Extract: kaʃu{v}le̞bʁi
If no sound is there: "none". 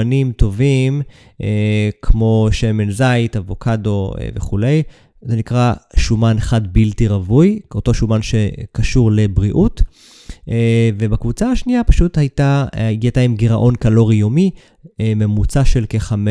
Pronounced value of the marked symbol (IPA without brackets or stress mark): ʁ